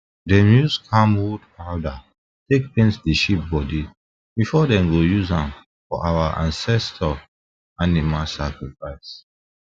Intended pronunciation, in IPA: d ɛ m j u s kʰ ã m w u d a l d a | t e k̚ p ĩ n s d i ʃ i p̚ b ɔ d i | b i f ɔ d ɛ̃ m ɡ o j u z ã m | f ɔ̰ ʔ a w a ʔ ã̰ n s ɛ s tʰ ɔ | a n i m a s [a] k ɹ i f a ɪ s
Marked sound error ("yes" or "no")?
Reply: no